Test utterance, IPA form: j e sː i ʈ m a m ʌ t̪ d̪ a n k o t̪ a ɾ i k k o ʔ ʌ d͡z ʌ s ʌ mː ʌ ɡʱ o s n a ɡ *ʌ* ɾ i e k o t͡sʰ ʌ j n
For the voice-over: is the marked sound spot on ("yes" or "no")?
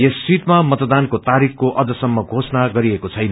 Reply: yes